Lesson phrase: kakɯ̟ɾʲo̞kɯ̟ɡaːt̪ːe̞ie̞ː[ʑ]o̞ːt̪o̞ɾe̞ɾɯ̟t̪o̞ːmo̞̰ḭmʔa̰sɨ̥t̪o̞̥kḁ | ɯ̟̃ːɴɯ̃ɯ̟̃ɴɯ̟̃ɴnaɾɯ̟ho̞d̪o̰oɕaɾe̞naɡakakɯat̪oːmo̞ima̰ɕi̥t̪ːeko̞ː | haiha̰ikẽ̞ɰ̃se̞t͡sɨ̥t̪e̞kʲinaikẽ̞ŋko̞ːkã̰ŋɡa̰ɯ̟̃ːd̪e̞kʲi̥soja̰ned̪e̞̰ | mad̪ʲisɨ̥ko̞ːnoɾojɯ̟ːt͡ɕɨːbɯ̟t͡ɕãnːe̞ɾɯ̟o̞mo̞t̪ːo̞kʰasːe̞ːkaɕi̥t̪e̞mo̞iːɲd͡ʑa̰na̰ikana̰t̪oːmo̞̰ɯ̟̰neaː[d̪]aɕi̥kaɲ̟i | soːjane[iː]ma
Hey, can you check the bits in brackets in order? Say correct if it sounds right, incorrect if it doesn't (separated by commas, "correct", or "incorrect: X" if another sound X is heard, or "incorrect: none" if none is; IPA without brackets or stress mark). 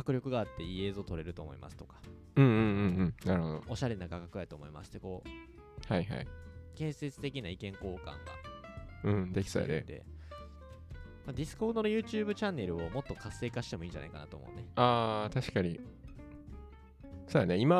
incorrect: z, incorrect: t̪, incorrect: i